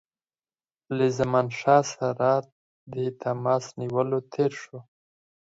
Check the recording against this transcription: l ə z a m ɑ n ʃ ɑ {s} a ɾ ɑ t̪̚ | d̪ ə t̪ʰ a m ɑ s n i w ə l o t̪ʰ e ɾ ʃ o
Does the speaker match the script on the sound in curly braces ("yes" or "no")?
yes